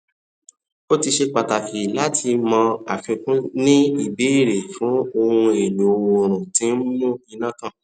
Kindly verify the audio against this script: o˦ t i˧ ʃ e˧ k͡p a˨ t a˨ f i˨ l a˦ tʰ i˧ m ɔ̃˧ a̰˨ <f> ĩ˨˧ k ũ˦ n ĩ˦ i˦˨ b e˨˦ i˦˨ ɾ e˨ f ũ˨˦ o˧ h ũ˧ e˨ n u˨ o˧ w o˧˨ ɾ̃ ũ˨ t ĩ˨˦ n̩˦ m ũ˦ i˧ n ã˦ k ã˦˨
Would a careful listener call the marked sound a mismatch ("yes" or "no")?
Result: no